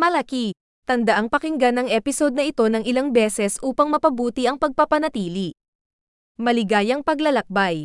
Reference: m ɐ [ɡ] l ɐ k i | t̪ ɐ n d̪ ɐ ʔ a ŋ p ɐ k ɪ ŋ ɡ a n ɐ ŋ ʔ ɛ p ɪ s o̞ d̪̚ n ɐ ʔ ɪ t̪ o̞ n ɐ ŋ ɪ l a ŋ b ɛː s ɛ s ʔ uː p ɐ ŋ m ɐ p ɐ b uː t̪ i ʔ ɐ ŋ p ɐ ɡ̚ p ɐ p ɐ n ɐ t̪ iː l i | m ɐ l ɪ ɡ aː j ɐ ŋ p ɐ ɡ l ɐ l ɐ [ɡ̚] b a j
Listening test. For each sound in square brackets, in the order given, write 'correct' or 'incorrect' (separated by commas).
incorrect, incorrect